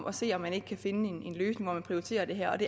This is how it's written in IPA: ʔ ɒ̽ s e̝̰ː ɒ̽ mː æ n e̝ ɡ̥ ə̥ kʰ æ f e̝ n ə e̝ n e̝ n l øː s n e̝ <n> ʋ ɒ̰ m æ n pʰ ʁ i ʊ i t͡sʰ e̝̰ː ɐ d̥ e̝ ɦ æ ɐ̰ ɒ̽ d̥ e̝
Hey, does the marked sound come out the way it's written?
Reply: no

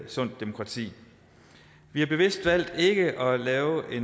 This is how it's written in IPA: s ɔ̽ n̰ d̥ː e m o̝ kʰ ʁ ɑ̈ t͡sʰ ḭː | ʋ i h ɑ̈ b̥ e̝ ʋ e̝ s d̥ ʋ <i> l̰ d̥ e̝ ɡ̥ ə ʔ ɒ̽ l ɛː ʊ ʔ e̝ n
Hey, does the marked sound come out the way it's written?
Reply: no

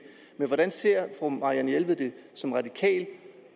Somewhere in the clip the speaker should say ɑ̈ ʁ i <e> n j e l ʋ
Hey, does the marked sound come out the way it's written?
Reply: no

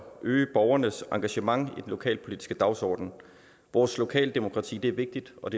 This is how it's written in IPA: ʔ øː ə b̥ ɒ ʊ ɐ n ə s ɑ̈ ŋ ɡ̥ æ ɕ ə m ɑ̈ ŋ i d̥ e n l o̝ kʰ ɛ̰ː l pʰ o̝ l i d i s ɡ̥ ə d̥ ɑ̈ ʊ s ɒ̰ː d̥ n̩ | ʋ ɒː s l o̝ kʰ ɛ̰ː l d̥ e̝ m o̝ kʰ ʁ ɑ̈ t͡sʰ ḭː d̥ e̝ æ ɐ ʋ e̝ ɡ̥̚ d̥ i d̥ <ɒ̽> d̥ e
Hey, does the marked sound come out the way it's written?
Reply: yes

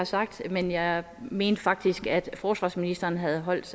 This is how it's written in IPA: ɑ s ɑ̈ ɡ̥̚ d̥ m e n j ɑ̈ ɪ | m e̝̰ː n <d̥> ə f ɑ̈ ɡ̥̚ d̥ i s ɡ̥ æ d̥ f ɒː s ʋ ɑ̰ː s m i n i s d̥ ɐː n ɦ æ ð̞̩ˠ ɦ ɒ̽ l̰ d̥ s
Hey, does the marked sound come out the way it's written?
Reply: yes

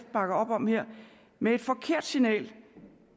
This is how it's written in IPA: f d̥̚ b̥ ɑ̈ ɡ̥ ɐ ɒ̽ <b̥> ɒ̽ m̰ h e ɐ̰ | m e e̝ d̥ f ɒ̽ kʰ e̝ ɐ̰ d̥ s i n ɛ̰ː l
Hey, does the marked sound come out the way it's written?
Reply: yes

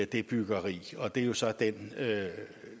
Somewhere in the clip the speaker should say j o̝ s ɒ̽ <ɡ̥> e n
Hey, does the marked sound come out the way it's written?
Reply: no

